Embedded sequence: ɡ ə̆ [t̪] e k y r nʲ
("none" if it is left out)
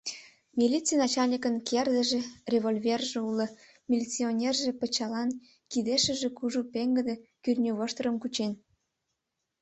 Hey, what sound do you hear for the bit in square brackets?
d̪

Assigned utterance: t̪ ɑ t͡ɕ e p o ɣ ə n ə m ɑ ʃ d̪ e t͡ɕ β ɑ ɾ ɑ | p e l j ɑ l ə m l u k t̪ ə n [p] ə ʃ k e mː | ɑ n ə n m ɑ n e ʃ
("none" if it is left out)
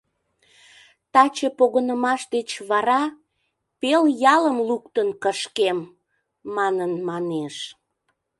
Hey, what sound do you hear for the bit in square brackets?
k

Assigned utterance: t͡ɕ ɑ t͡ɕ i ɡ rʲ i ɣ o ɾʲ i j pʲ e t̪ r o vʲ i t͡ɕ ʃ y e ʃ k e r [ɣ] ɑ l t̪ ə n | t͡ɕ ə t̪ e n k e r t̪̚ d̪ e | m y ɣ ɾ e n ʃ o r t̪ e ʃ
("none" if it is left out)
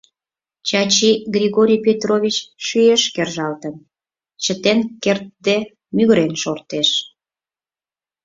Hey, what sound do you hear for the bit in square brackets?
ʒ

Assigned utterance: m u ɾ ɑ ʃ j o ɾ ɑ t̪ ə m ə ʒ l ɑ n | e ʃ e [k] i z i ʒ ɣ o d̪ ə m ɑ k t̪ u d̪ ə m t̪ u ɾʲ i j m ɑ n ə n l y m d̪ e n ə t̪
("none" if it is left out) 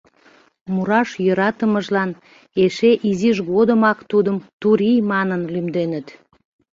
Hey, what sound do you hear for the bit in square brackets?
ʔ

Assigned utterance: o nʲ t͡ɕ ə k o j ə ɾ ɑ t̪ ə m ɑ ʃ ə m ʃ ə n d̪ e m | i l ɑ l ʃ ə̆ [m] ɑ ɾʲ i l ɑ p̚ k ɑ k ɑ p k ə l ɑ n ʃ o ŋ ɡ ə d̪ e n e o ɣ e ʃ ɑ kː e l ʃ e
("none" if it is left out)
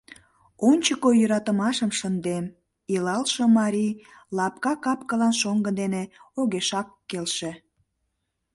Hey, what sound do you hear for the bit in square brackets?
m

